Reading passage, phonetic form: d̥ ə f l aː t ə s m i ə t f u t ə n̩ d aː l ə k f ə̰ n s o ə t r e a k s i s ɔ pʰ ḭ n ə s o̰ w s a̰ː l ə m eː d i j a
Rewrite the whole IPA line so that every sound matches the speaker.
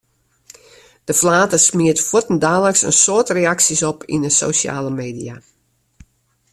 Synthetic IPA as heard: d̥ ə f l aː t ə s m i ə t f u t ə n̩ d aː l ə k s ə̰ n s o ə t r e a k s i s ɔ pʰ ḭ n ə s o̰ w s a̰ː l ə m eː d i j a